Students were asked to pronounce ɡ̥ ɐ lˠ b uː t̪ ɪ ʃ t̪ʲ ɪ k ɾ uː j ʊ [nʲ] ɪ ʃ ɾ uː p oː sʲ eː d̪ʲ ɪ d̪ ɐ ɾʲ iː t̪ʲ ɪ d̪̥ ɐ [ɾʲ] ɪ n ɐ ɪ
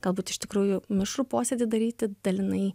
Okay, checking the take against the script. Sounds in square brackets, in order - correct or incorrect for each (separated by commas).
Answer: incorrect, incorrect